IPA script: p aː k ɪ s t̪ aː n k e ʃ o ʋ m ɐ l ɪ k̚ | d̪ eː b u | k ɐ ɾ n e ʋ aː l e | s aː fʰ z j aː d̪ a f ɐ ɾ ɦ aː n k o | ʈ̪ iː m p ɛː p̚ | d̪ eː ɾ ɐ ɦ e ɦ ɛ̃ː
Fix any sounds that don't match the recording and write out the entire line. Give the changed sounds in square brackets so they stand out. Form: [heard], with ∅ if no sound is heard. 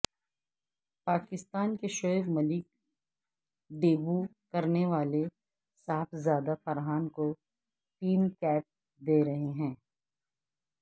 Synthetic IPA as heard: p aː k ɪ s t̪ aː n k e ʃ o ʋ m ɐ l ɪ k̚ | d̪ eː b u | k ɐ ɾ n e ʋ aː l e | s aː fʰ z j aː d̪ a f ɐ ɾ ɦ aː n k o | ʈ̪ iː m [k] ɛː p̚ | d̪ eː ɾ ɐ ɦ e ɦ ɛ̃ː